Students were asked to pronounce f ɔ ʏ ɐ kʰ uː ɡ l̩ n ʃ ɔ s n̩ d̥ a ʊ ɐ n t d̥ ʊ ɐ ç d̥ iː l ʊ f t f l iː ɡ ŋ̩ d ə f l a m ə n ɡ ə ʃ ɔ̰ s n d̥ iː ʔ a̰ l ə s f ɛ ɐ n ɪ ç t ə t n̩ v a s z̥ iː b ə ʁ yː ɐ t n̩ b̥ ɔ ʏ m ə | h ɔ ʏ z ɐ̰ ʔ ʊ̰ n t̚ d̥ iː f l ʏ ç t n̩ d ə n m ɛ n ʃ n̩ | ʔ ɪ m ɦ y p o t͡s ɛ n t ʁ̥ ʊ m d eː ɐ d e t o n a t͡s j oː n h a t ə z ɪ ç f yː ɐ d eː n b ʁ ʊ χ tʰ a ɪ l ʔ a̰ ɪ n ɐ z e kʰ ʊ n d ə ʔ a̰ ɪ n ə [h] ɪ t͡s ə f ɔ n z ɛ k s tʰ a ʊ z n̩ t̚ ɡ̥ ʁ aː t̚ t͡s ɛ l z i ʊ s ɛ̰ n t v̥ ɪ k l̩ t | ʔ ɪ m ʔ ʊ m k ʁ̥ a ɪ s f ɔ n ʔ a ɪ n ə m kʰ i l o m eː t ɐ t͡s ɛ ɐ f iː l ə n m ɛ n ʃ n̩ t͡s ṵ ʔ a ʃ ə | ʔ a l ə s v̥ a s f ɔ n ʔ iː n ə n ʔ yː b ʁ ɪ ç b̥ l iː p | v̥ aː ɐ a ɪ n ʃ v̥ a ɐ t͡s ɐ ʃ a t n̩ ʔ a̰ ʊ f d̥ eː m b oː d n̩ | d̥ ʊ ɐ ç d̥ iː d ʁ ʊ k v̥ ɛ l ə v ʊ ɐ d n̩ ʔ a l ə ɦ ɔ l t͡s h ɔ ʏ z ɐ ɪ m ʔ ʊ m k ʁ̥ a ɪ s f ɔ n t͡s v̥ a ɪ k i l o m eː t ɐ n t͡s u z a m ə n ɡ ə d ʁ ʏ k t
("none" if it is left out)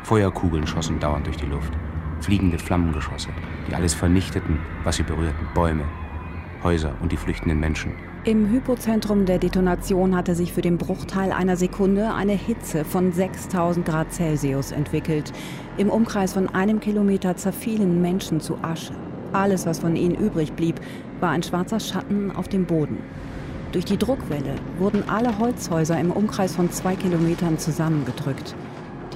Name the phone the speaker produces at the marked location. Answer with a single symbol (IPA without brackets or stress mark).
h